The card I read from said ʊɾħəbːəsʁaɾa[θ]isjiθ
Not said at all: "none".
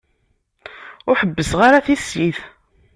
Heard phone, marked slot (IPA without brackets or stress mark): θ